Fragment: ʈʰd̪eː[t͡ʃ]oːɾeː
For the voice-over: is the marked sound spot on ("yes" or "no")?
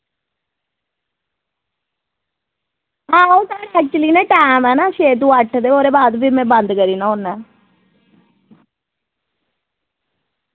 no